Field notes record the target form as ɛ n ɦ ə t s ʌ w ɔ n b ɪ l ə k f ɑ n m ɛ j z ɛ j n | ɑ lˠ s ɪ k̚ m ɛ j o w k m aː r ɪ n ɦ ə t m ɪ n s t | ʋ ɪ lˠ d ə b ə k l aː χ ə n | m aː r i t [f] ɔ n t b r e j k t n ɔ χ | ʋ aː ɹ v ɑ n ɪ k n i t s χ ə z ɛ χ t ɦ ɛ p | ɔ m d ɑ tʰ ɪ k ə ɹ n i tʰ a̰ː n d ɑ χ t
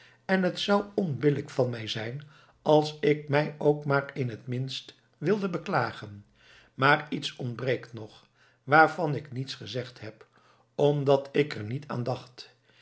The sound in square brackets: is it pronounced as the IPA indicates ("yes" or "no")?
no